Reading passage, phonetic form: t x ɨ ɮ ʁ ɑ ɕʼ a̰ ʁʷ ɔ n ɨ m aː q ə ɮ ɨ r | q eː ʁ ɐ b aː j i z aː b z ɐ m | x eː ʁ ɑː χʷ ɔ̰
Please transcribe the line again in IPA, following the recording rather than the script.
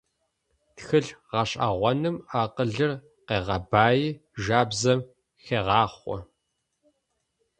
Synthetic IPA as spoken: t x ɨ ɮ ʁ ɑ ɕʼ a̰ ʁʷ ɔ n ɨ m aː q ə ɮ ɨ r | q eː ʁ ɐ b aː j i ʒ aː b z ɐ m | x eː ʁ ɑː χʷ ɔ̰

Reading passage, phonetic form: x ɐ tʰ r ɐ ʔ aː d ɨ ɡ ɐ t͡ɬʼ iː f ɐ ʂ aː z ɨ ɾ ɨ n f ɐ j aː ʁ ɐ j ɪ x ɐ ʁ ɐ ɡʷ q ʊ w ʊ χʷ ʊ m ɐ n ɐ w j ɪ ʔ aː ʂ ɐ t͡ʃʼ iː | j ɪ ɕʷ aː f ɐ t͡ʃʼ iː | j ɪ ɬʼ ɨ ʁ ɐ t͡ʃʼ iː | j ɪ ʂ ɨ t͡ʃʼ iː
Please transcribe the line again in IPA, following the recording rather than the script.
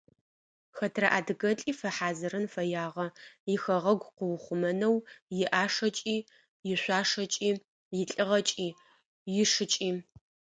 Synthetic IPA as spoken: x ɐ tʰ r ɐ ʔ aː d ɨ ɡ ɐ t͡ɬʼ iː f ɐ ħ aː z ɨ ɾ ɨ n f ɐ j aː ʁ ɐ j ɪ x ɐ ʁ ɐ ɡʷ q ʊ w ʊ χʷ ʊ m ɐ n ɐ w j ɪ ʔ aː ʂ ɐ t͡ʃʼ iː | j ɪ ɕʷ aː ʂ ɐ t͡ʃʼ iː | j ɪ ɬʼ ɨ ʁ ɐ t͡ʃʼ iː | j ɪ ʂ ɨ t͡ʃʼ iː

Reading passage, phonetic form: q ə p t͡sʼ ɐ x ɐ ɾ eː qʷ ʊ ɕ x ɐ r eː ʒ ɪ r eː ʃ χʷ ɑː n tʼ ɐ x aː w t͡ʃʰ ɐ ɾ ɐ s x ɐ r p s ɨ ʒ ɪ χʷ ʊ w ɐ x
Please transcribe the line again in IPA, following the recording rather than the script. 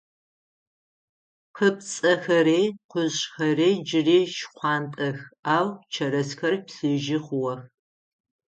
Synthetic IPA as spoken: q ə p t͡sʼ ɐ x ɐ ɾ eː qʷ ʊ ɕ x ɐ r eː d͡ʒ ɪ r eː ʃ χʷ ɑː n tʼ ɐ x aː w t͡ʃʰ ɐ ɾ ɐ s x ɐ r p s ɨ ʒ ɪ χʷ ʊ w ɐ x

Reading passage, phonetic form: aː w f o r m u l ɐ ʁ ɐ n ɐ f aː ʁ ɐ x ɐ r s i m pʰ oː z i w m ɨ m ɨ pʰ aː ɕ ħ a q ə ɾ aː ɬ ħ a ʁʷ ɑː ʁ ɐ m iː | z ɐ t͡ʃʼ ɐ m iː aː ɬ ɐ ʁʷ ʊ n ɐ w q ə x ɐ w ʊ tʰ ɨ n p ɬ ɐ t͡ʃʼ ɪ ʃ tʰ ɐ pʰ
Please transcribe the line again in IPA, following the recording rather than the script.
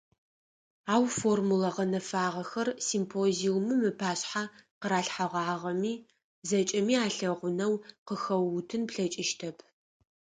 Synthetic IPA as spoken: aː w f o r m u l ɐ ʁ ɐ n ɐ f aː ʁ ɐ x ɐ r s i m pʰ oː z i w m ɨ m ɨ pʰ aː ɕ ħ a q ə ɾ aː ɬ ħ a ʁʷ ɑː ʁ ɐ m iː | z ɐ t͡ʃʼ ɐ m iː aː ɬ ɐ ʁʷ ʊ n ɐ w q ə x ɐ w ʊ tʰ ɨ n p ɬ ɐ t͡ʃʼ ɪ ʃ tʰ ɐ pʰ

